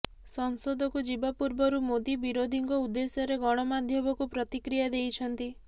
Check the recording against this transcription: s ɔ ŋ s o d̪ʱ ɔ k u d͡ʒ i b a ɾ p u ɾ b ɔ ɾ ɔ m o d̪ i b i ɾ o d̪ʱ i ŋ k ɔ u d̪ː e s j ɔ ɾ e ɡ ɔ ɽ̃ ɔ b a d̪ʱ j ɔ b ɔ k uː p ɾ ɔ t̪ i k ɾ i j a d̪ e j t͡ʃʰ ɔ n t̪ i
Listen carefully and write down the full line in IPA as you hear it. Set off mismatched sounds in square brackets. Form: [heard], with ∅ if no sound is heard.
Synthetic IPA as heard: s ɔ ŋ s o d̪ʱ ɔ k u d͡ʒ i b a [∅] p u ɾ b ɔ ɾ [u] m o d̪ i b i ɾ o d̪ʱ i ŋ k ɔ u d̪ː e s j ɔ ɾ e ɡ ɔ ɽ̃ ɔ [m] a d̪ʱ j ɔ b ɔ k [u] p ɾ ɔ t̪ i k ɾ i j a d̪ e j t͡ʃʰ ɔ n t̪ i